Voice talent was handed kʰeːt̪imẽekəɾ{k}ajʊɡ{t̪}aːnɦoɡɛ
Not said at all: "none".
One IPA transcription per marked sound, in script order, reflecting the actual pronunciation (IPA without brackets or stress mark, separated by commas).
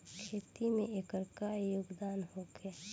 k, d̪